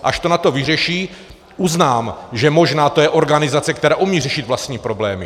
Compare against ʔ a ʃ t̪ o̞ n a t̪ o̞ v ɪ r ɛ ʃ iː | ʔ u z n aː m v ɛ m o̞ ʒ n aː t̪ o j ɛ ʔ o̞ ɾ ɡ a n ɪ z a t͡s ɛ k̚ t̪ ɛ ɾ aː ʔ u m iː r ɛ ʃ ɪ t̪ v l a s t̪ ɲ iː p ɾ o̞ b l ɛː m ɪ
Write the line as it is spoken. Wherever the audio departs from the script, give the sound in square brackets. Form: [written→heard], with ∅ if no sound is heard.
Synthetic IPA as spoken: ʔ a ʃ t̪ o̞ n a t̪ o̞ v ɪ r ɛ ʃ iː | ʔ u z n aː m [v→ʒ] ɛ m o̞ ʒ n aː t̪ o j ɛ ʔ o̞ ɾ ɡ a n ɪ z a t͡s ɛ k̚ t̪ ɛ ɾ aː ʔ u m iː r ɛ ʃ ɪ t̪ v l a s t̪ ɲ iː p ɾ o̞ b l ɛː m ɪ

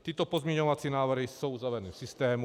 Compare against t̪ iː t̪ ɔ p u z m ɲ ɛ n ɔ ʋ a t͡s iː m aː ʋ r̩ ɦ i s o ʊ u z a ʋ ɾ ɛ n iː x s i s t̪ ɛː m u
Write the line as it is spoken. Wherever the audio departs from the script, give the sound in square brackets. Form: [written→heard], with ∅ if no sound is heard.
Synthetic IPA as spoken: t̪ iː t̪ ɔ p [u→ɔ] z m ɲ ɛ [n→ɲ] ɔ ʋ a t͡s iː [m→n] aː ʋ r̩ ɦ i s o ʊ u z a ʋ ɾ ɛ n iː [x→f] s i s t̪ ɛː m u

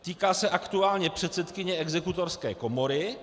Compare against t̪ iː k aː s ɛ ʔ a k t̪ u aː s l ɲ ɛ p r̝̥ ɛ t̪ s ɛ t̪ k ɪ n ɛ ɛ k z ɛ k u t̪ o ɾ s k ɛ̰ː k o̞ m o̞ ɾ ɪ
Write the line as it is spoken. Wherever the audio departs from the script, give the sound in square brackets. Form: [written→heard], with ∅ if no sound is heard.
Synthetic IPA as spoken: t̪ iː k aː s ɛ ʔ a k t̪ u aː [s→∅] l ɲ ɛ p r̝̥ ɛ t̪ s ɛ t̪ k ɪ [n→ɲ] ɛ ɛ [k→ɡ] z ɛ k u t̪ o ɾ s k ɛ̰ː k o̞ m o̞ ɾ ɪ

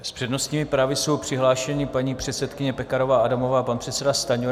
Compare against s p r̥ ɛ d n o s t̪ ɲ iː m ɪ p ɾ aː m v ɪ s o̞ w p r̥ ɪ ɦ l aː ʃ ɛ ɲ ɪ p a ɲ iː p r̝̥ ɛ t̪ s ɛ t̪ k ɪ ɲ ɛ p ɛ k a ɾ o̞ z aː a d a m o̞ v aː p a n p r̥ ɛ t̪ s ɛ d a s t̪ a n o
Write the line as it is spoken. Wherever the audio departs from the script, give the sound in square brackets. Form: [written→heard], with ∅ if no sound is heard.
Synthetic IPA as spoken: s p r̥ ɛ d n o s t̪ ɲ iː m ɪ p ɾ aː [m→∅] v ɪ s o̞ w p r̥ ɪ ɦ l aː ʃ ɛ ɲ ɪ p a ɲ iː p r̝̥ ɛ t̪ s ɛ t̪ k ɪ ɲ ɛ p ɛ k a ɾ o̞ [z→v] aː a d a m o̞ v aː p a n p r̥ ɛ t̪ s ɛ d a s t̪ a [n→ɲ] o

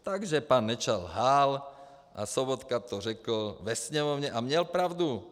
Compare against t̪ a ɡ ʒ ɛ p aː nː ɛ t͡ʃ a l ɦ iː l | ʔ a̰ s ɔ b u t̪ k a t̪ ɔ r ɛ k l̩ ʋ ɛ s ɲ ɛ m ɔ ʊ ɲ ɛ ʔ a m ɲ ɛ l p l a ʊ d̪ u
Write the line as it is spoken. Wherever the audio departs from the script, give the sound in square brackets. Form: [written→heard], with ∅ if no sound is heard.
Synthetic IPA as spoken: t̪ a ɡ ʒ ɛ p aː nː ɛ t͡ʃ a l ɦ [iː→aː] l | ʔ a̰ s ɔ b [u→ɔ] t̪ k a t̪ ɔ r ɛ k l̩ ʋ ɛ s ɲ ɛ m ɔ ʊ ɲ ɛ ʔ a m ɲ ɛ l p [l→ɾ] a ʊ d̪ u

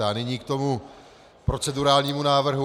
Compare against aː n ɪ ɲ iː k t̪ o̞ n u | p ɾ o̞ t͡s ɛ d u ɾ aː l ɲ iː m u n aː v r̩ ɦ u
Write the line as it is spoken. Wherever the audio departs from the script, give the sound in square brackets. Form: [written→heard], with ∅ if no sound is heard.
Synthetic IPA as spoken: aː n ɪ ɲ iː k t̪ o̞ [n→m] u | p ɾ o̞ t͡s ɛ d u ɾ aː l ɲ iː m u n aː v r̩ ɦ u

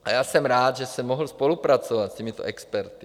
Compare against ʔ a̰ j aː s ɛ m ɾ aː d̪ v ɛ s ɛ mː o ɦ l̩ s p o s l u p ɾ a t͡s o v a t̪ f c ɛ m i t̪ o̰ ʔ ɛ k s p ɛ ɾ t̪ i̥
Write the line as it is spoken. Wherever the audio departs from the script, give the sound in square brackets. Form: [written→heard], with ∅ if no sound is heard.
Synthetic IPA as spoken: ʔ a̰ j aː s ɛ m ɾ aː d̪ [v→ʒ] ɛ s ɛ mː o ɦ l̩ s p o [s→∅] l u p ɾ a t͡s o v a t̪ [f→s] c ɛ m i t̪ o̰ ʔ ɛ k s p ɛ ɾ t̪ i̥

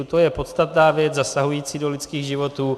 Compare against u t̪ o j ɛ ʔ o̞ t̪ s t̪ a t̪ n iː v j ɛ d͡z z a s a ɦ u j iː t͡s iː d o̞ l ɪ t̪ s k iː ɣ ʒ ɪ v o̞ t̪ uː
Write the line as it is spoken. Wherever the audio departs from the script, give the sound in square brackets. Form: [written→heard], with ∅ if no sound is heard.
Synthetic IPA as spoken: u t̪ o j ɛ [ʔ→p] o̞ t̪ s t̪ a t̪ n [iː→aː] v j ɛ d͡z z a s a ɦ u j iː t͡s iː d o̞ l ɪ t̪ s k iː ɣ ʒ ɪ v o̞ t̪ uː

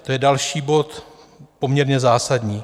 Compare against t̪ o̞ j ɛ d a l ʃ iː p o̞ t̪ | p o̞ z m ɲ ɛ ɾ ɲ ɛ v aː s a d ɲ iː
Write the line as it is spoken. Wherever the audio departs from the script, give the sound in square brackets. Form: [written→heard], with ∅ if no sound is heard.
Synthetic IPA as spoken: t̪ o̞ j ɛ d a l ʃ iː [p→b] o̞ t̪ | p o̞ [z→∅] m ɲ ɛ ɾ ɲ ɛ [v→z] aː s a d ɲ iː

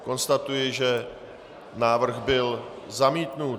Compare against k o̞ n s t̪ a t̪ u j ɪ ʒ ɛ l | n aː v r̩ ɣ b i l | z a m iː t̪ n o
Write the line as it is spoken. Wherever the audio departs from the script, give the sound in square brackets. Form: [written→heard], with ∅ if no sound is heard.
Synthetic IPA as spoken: k o̞ n s t̪ a t̪ u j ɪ ʒ ɛ [l→∅] | n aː v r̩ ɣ b [i→ɪ] l | z a m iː t̪ n [o→u]

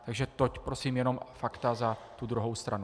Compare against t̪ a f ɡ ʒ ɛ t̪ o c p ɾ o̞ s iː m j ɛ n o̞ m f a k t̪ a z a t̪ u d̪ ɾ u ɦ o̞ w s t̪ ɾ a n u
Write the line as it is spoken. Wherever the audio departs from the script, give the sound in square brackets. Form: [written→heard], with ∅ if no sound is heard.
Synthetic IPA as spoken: t̪ a [f→∅] ɡ ʒ ɛ t̪ o c p ɾ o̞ s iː m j ɛ n o̞ m f a k t̪ a z a t̪ u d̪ ɾ u ɦ o̞ w s t̪ ɾ a n u

